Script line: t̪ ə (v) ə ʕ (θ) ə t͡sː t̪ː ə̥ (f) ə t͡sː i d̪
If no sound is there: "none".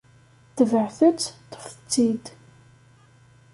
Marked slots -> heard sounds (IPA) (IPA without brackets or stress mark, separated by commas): v, θ, f